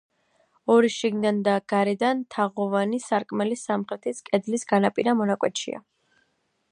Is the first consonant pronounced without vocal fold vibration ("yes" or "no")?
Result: no